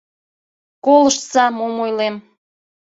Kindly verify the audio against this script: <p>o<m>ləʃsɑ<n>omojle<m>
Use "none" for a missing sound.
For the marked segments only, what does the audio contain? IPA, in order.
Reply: k, none, m, m

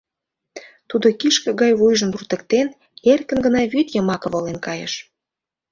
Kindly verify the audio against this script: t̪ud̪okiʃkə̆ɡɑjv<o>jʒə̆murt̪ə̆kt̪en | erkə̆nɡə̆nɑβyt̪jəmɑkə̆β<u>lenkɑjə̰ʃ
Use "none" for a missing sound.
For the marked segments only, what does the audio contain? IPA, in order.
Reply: u, o

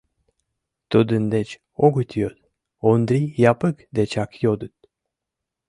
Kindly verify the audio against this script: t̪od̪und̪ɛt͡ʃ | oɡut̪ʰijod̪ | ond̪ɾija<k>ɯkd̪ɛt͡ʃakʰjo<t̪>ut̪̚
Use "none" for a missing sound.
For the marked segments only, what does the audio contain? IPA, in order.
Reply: p, d̪

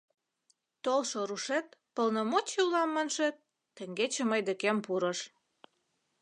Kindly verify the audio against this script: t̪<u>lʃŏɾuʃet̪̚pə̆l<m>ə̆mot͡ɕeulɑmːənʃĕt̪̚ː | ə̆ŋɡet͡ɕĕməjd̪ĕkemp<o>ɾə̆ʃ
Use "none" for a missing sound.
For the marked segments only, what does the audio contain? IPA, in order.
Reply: o, n, u

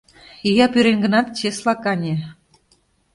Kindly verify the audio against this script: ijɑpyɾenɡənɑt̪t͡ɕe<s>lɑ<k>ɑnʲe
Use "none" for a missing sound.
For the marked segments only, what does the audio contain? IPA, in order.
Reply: s, k

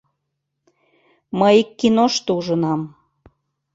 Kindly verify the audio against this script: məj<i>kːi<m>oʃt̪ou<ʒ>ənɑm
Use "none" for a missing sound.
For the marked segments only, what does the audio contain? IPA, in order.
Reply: i, n, ʒ

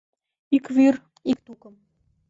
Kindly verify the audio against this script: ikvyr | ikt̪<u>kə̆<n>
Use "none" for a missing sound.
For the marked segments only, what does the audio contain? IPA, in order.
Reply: u, m

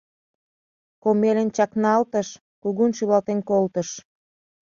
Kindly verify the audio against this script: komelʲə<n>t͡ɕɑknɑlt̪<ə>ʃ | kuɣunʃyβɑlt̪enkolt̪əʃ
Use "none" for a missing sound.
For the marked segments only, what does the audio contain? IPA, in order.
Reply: n, ə

